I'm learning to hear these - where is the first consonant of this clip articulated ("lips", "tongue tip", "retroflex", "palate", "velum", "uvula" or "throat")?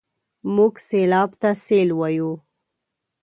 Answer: lips